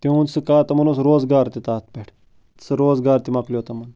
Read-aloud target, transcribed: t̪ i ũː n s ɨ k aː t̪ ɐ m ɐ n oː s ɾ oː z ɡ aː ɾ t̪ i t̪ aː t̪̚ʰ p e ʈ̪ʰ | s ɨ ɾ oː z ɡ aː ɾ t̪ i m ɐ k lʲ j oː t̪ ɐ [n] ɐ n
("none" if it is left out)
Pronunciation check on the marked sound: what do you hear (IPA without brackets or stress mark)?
m